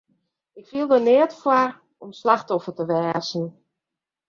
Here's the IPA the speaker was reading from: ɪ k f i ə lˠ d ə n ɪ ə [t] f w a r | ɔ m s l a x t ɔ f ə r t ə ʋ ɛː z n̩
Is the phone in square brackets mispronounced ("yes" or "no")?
no